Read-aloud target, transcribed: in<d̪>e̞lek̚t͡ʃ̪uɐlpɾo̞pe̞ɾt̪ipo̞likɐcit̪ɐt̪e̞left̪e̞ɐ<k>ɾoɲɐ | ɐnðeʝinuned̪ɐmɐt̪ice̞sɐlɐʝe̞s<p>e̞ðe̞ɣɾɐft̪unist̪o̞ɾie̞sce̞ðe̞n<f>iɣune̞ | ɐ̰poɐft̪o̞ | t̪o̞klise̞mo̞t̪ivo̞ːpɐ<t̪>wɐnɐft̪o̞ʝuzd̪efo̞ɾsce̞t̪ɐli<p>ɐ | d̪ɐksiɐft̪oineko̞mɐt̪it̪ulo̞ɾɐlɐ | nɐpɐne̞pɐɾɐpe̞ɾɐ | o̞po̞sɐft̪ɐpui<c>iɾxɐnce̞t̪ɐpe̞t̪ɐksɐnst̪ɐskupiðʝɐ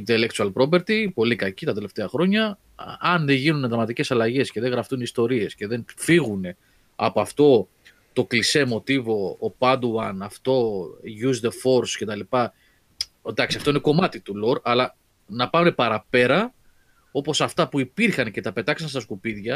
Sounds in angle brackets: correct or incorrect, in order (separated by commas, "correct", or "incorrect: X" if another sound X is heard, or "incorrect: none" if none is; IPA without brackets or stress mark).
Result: incorrect: t̪, incorrect: x, incorrect: c, correct, incorrect: d̪, correct, incorrect: p